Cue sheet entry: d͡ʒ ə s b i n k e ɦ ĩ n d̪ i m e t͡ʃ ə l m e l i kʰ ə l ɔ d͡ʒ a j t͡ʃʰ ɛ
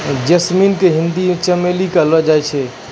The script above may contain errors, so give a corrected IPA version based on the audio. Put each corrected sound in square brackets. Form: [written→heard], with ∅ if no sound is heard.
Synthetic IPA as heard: d͡ʒ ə s [b→m] i n k e ɦ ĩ n d̪ i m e t͡ʃ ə [l→∅] m e l i [kʰ→k] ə l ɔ d͡ʒ a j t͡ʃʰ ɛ